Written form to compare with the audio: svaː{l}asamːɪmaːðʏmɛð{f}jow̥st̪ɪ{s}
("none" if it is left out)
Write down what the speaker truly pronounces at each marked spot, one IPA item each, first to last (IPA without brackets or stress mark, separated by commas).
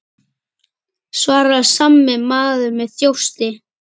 ɾ, θ, none